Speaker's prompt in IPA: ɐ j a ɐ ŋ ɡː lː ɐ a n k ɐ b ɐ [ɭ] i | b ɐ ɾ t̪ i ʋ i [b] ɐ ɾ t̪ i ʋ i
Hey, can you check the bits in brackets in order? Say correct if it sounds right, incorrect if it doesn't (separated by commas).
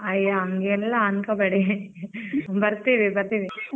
incorrect, correct